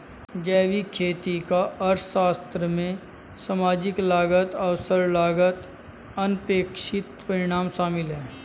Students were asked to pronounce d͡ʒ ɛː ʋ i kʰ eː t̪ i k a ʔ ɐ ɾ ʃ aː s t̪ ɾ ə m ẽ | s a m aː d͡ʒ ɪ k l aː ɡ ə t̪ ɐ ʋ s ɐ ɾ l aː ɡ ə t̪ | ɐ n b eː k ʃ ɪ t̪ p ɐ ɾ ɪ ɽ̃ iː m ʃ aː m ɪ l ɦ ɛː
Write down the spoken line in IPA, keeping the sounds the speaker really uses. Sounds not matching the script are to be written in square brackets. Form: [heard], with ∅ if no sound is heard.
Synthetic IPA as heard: d͡ʒ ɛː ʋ i kʰ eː t̪ i k a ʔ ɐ ɾ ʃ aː s t̪ ɾ ə m ẽ | s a m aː d͡ʒ ɪ k l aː ɡ ə t̪ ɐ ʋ s [ə] ɾ l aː ɡ ə t̪ | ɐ n [p] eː k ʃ ɪ t̪ p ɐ ɾ ɪ ɽ̃ [aː] m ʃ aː m ɪ l ɦ ɛː

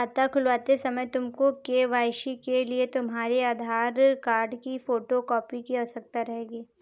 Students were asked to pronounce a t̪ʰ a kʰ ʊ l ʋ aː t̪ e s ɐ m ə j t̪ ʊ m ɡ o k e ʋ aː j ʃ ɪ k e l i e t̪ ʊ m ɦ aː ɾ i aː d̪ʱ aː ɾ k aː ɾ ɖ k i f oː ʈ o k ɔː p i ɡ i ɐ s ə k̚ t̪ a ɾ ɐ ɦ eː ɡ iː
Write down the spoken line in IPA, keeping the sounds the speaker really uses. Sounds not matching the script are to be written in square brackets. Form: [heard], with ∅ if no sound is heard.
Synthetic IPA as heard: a [t̪] a kʰ ʊ l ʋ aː t̪ e s ɐ m ə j t̪ ʊ m [k] o k e ʋ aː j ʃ [i] k e l i e t̪ ʊ m ɦ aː ɾ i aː d̪ʱ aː ɾ k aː ɾ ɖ k i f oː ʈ o k ɔː p i [k] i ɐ s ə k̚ t̪ a ɾ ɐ ɦ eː ɡ iː

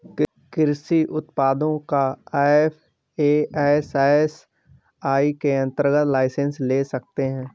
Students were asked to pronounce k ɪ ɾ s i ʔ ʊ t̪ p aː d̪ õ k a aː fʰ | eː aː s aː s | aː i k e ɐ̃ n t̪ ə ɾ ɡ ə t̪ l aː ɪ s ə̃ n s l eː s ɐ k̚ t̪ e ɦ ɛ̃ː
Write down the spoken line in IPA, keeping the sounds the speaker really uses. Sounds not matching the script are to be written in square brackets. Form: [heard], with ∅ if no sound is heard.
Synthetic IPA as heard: k ɪ ɾ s i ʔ ʊ t̪ p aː d̪ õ k a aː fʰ | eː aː s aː s | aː i k e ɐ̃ n t̪ ə ɾ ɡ ə t̪ l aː ɪ s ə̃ n s l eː s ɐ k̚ t̪ e ɦ ɛ̃ː

